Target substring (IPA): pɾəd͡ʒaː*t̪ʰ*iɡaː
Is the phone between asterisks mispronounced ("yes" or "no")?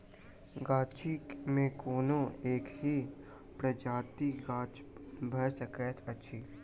yes